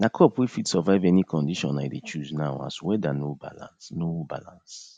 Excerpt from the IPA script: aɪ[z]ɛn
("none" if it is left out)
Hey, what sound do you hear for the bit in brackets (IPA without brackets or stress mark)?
v